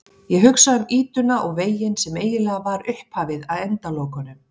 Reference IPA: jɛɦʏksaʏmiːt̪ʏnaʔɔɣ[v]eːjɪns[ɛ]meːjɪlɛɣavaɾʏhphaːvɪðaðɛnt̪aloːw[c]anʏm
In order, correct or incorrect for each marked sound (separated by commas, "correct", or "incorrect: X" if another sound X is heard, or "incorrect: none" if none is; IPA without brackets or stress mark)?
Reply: correct, correct, incorrect: k